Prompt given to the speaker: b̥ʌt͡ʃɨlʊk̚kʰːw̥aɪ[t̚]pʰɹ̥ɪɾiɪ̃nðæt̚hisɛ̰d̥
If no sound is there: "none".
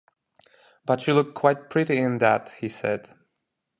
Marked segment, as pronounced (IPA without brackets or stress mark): t̚